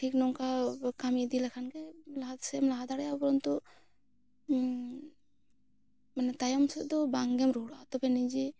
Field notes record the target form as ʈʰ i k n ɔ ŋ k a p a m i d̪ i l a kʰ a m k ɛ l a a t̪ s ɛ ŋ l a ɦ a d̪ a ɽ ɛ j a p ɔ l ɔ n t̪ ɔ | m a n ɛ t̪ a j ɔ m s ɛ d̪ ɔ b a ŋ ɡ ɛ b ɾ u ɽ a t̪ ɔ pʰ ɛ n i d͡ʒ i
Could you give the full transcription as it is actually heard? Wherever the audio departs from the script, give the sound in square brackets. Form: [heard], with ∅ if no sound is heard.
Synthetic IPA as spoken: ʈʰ i k n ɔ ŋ k a [k] a m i d̪ i l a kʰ a [n] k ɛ l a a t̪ s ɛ [m] l a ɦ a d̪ a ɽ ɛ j a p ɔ [ɾ] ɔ n t̪ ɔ | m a n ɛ t̪ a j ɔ m s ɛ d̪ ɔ b a ŋ ɡ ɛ [m] ɾ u ɽ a t̪ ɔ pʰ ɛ n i d͡ʒ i